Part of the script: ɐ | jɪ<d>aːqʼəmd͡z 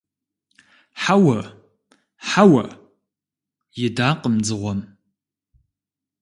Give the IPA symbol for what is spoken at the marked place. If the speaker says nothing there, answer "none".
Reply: d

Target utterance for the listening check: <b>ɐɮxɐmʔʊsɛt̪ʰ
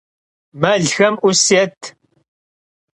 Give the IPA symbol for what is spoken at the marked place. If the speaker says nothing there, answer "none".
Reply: m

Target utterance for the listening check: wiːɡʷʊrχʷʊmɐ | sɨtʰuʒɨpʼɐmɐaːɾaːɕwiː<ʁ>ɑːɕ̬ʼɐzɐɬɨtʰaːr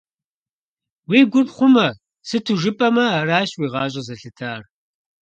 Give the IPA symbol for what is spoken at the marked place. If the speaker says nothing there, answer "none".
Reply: ʁ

